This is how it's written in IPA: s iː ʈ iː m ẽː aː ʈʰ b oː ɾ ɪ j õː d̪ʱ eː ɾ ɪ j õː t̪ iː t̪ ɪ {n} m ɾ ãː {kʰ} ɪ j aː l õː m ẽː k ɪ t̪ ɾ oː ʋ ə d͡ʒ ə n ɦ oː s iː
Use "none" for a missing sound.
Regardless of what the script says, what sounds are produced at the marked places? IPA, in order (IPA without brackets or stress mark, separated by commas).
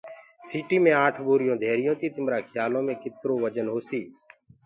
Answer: none, kʰ